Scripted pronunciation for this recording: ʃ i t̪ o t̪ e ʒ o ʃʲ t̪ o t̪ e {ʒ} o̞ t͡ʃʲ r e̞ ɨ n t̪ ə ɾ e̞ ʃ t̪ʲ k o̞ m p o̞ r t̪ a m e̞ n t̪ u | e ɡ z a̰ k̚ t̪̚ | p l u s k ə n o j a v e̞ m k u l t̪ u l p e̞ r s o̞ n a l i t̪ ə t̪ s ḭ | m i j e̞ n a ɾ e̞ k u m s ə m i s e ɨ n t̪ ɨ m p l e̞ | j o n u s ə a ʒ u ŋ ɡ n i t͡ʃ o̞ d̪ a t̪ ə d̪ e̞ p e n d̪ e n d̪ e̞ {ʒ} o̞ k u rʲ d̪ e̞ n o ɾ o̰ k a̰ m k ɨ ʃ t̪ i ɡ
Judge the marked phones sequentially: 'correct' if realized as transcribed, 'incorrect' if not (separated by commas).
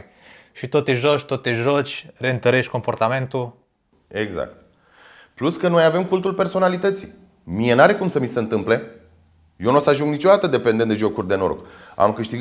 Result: correct, correct